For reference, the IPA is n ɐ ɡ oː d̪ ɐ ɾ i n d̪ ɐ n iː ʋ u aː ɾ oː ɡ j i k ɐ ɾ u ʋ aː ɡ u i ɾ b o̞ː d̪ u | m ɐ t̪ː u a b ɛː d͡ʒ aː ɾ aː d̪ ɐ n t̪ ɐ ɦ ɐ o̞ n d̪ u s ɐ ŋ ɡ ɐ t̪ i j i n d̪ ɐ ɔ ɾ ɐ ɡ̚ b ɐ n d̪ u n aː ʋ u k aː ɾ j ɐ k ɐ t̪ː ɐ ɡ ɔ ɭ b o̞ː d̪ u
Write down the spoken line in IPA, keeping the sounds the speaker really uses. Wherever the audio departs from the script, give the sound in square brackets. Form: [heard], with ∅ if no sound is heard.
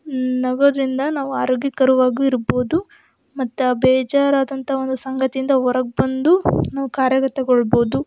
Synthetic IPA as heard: n ɐ ɡ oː d̪ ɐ ɾ i n d̪ ɐ n [aː] ʋ u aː ɾ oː ɡ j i k ɐ ɾ u ʋ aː ɡ u i ɾ b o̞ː d̪ u | m ɐ t̪ː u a b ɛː d͡ʒ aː ɾ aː d̪ ɐ n t̪ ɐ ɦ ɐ o̞ n d̪ u s ɐ ŋ ɡ ɐ t̪ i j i n d̪ ɐ ɔ ɾ ɐ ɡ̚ b ɐ n d̪ u n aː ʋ u k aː ɾ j ɐ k ɐ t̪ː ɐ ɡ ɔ ɭ b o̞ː d̪ u